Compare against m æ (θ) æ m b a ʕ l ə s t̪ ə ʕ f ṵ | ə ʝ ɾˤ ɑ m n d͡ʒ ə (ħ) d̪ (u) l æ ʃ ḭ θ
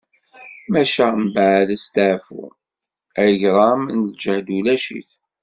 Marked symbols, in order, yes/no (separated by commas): no, no, yes